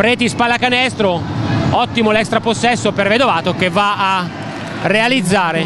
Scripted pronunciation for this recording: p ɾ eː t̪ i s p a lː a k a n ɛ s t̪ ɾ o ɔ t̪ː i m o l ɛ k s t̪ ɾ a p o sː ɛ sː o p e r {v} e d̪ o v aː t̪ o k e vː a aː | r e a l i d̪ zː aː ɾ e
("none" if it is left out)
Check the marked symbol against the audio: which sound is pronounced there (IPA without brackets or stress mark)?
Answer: v